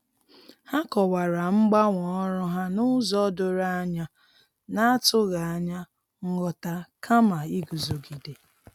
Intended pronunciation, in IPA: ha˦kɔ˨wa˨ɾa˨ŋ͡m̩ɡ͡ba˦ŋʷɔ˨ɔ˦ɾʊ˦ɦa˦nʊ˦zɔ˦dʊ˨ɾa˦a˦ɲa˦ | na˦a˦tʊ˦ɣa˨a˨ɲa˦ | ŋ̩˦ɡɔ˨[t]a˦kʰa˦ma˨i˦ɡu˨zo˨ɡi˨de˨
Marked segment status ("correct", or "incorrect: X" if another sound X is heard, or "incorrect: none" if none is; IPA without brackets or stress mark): correct